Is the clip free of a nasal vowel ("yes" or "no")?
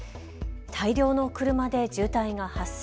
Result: yes